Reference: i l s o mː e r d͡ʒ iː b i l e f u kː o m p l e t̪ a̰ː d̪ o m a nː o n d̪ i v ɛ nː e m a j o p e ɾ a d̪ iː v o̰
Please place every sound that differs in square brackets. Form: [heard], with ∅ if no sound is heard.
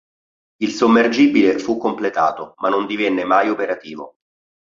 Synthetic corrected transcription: i l s o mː e r d͡ʒ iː b i l e f u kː o m p l e t̪ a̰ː [t̪] o m a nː o n d̪ i v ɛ nː e m a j o p e ɾ a [t̪] iː v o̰

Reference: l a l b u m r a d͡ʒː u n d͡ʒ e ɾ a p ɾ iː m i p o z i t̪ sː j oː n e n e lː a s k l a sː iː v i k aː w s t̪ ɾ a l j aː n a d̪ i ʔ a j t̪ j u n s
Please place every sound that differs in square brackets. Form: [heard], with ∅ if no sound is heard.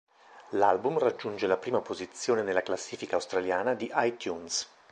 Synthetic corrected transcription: l a l b u m r a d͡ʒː u n d͡ʒ e [l] a p ɾ iː m [a] p o z i t̪ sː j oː n e n e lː a [∅] k l a sː iː [f] i k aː w s t̪ ɾ a l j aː n a d̪ i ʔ a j t̪ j u n s

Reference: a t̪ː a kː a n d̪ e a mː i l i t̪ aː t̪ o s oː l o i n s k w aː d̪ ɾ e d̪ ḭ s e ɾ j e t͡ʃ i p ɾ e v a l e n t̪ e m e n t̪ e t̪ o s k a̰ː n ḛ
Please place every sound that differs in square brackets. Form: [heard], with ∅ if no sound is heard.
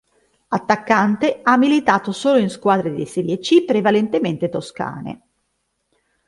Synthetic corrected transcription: a t̪ː a kː a n [t̪] e a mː i l i t̪ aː t̪ o s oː l o i n s k w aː d̪ ɾ e d̪ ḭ s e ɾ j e t͡ʃ i p ɾ e v a l e n t̪ e m e n t̪ e t̪ o s k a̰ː n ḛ

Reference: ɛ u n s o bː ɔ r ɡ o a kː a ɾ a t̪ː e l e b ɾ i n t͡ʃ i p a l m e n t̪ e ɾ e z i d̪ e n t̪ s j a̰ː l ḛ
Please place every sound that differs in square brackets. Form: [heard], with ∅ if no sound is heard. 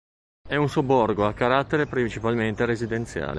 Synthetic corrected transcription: ɛ u n s o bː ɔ r ɡ o a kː a ɾ a t̪ː e [ɾ] e [p] ɾ i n t͡ʃ i p a l m e n t̪ e ɾ e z i d̪ e n t̪ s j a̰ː l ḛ

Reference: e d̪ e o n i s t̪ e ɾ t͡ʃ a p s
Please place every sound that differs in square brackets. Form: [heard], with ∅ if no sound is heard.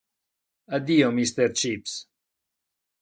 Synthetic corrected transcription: [a] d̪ [i] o [m] i s t̪ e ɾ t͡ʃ [i] p s

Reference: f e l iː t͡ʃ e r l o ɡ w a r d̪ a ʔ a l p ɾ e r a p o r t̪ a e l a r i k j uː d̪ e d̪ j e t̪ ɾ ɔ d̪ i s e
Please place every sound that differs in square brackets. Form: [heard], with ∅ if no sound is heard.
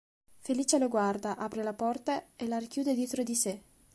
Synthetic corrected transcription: f e l iː t͡ʃ e [∅] l o ɡ w a r d̪ a ʔ a [∅] p ɾ e [l] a p [ɔ] r t̪ a e l a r i k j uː d̪ e d̪ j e t̪ ɾ [o] d̪ i s e

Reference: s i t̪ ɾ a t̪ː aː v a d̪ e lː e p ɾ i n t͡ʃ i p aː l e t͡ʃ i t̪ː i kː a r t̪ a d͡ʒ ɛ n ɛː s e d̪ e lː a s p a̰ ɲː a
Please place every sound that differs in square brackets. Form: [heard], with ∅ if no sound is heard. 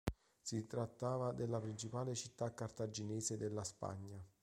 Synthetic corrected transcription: s i t̪ ɾ a t̪ː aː v a d̪ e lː [a] p ɾ i n t͡ʃ i p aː l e t͡ʃ i t̪ː [a] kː a r t̪ a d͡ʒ [i] n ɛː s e d̪ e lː a s p a̰ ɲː a

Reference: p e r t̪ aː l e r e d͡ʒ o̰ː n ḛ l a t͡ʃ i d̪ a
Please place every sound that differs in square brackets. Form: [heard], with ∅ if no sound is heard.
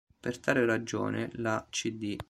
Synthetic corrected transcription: p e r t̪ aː [ɾ] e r [a] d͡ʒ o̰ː n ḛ l a t͡ʃ i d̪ [i]

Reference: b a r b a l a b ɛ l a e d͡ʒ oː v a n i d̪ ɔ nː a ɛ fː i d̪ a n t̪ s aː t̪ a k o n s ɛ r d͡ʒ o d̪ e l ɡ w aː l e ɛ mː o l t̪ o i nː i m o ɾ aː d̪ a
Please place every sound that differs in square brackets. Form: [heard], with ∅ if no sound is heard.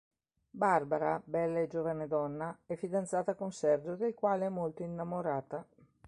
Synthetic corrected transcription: b a r b a [ɾ] a b ɛ [lː] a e d͡ʒ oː v a n [e] d̪ ɔ nː a ɛ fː i d̪ a n t̪ s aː t̪ a k o n s ɛ r d͡ʒ o d̪ e l [k] w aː l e ɛ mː o l t̪ o i nː [a] m o ɾ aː [t̪] a

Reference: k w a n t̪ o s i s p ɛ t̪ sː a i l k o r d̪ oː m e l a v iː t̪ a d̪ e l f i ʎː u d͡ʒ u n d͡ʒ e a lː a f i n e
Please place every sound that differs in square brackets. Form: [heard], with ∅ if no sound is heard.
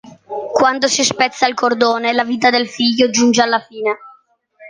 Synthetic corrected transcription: k w a n [d̪] o s i s p ɛ t̪ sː a i l k o r d̪ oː [n] e l a v iː t̪ a d̪ e l f i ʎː [o] d͡ʒ u n d͡ʒ e a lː a f [iː] n e

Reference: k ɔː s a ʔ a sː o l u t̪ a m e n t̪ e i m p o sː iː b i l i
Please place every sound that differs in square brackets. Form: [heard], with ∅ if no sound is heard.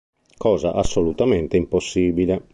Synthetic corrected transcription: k ɔː [z] a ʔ a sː o l u t̪ a m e n t̪ e i m p o sː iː b i l [e]

